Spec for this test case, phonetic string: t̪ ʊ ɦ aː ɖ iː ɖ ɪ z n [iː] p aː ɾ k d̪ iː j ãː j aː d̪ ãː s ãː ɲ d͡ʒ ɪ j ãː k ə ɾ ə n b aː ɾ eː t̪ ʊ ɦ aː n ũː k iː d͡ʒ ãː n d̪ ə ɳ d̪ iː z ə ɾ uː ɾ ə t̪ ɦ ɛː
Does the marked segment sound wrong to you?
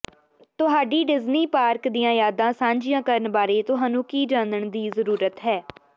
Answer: no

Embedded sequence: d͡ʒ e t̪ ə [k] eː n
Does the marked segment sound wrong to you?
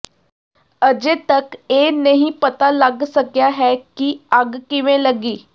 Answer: no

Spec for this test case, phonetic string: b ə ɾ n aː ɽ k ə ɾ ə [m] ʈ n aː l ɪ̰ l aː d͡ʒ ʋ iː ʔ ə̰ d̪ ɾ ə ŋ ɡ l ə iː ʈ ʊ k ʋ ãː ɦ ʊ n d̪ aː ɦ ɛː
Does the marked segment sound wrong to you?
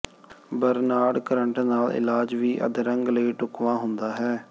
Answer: yes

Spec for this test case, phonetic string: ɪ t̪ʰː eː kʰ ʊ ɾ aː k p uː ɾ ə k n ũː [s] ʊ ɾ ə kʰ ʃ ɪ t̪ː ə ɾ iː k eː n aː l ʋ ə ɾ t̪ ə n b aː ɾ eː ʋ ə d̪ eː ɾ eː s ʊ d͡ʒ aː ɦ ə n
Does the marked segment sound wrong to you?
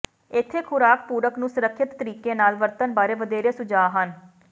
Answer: no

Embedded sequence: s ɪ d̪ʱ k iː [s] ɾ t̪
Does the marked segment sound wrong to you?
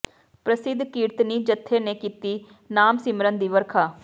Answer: yes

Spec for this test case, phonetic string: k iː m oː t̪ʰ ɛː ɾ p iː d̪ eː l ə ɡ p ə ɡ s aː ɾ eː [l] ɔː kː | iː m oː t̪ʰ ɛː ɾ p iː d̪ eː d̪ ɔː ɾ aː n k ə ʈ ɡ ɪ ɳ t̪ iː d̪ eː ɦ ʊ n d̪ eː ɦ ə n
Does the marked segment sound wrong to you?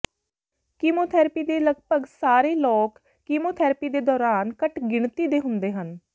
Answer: no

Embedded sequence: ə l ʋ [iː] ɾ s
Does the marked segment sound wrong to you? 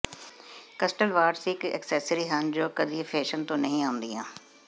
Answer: yes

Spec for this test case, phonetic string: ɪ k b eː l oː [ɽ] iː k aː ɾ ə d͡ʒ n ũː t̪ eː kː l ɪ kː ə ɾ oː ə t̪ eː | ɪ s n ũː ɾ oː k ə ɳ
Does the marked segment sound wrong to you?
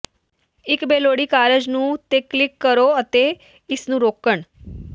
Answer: no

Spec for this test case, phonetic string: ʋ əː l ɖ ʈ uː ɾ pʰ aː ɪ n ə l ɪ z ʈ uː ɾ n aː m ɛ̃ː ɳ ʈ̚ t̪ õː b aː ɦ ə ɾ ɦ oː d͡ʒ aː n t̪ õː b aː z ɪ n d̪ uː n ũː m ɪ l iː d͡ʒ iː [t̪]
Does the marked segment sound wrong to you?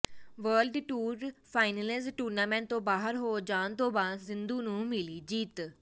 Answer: no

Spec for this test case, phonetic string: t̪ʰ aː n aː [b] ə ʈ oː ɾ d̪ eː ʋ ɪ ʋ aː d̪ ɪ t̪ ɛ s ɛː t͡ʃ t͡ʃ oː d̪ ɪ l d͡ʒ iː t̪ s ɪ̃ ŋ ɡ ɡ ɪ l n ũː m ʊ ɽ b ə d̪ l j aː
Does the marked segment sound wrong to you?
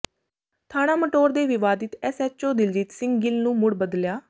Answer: yes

